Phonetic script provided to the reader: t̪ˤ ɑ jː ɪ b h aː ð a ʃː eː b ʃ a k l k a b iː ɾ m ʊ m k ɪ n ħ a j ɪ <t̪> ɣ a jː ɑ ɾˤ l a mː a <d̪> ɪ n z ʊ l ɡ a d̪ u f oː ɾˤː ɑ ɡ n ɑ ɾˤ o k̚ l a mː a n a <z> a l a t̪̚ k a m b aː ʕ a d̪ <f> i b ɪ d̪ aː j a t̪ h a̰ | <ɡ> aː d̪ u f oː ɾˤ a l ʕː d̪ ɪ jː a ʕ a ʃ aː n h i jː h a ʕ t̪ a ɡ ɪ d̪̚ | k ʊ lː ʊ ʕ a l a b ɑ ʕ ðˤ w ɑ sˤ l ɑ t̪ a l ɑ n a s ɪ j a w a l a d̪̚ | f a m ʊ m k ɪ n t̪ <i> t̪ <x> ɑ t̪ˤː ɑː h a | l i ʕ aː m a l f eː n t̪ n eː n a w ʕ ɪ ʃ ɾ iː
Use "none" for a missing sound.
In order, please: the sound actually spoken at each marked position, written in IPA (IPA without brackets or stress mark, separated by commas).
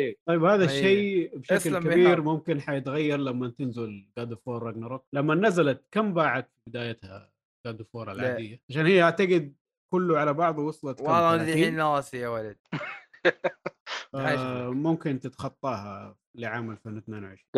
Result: t̪, t̪, z, f, ɡ, ɪ, x